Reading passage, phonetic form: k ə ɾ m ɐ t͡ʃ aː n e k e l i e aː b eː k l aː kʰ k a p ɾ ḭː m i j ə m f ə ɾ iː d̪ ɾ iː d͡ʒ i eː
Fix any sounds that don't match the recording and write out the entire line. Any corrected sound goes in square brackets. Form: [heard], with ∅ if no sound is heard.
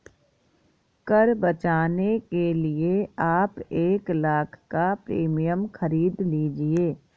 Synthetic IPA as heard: k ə ɾ [b] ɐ t͡ʃ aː n e k e l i e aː [p] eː k l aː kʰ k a p ɾ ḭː m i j ə m [x] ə ɾ iː d̪ [l] iː d͡ʒ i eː

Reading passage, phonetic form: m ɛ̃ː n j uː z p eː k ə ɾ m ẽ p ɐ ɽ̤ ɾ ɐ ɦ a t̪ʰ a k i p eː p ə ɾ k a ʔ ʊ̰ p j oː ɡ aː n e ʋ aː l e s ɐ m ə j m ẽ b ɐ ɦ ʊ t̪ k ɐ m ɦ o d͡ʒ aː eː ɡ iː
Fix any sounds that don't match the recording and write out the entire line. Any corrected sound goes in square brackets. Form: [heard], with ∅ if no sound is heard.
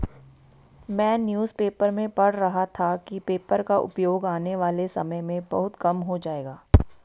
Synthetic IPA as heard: m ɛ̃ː n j uː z p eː [p] ə ɾ m ẽ p ɐ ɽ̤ ɾ ɐ ɦ a t̪ʰ a k i p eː p ə ɾ k a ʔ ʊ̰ p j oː ɡ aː n e ʋ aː l e s ɐ m ə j m ẽ b ɐ ɦ ʊ t̪ k ɐ m ɦ o d͡ʒ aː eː ɡ [aː]

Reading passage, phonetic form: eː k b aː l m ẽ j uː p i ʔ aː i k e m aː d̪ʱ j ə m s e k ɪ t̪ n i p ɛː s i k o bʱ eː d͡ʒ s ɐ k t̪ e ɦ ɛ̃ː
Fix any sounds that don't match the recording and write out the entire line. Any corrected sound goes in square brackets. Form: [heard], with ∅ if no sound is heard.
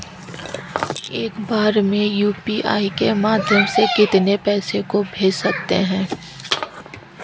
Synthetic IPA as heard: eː k b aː [ɾ] m ẽ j uː p i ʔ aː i k e m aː d̪ʱ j ə m s e k ɪ t̪ n [e] p ɛː s [e] k o bʱ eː d͡ʒ s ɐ k t̪ e ɦ ɛ̃ː

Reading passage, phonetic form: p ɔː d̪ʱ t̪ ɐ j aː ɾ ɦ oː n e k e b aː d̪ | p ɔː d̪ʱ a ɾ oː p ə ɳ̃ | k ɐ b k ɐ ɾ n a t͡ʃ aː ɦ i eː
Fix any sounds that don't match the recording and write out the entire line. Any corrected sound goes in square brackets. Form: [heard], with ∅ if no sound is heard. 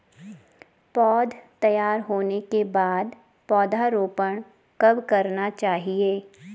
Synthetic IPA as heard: p ɔː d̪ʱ t̪ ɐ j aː ɾ ɦ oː n e k e b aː d̪ | p ɔː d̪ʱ a ɾ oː p ə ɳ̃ | k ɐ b k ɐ ɾ n a t͡ʃ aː ɦ i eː

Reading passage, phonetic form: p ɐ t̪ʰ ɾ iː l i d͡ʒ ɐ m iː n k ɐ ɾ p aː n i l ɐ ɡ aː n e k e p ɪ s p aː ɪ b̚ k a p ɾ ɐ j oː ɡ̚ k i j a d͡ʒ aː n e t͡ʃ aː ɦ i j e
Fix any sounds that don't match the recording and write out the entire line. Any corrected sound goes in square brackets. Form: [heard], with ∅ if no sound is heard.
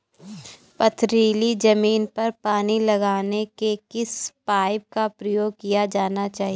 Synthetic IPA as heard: p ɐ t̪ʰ ɾ iː l i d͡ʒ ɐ m iː n [p] ɐ ɾ p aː n i l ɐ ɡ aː n e k e [k] ɪ s p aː ɪ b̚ k a p ɾ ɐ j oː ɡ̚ k i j a d͡ʒ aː n [a] t͡ʃ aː ɦ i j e

